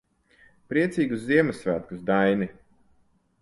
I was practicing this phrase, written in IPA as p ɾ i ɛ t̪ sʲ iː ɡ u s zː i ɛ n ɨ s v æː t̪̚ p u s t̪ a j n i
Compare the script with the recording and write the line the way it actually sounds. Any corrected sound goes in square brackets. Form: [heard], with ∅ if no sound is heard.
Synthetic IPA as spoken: p ɾ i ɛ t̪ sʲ iː ɡ u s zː i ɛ [m] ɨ s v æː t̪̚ [k] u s [d̪] a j n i

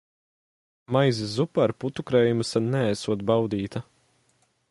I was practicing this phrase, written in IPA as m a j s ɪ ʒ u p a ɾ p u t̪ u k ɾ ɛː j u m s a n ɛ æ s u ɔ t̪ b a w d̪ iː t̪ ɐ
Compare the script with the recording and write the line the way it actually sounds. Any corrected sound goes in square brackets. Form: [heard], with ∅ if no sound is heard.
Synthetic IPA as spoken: m a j [z] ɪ [z] u p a ɾ p u t̪ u k ɾ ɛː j u m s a n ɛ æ s u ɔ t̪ b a w d̪ iː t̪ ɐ

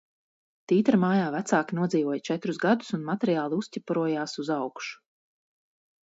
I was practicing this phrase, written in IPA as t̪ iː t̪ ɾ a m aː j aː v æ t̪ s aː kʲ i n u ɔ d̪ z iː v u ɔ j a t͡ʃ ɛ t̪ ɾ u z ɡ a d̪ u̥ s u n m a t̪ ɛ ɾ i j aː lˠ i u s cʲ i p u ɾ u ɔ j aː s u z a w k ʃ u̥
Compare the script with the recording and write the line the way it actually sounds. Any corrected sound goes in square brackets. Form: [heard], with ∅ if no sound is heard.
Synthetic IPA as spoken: t̪ iː t̪ ɾ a m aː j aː v æ t̪ s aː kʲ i n u ɔ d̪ z iː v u ɔ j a t͡ʃ ɛ t̪ ɾ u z ɡ a d̪ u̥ s u n m a t̪ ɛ ɾ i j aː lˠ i u s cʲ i p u ɾ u ɔ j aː s u z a w k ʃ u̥

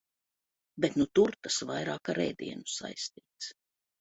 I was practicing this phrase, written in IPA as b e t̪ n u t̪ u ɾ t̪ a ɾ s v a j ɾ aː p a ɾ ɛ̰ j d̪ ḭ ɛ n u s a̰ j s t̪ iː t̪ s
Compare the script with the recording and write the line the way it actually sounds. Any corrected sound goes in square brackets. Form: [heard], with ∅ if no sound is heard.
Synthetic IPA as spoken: b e t̪ n u t̪ u ɾ t̪ a [∅] s v a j ɾ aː [k] a ɾ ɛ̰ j d̪ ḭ ɛ n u s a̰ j s t̪ iː t̪ s

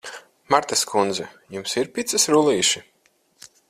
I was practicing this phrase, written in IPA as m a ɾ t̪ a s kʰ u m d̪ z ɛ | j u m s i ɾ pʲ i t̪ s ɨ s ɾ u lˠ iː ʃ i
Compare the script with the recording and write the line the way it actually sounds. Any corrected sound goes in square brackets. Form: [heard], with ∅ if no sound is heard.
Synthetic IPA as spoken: m a ɾ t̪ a s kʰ u [n] d̪ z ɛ | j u m s i ɾ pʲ i t̪ s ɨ s ɾ u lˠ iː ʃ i

